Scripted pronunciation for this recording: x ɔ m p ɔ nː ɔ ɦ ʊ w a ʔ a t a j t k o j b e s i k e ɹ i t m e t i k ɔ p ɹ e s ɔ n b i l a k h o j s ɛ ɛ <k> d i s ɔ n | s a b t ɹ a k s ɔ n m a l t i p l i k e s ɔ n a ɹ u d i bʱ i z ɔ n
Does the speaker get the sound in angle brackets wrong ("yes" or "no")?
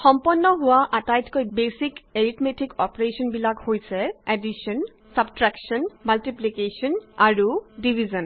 yes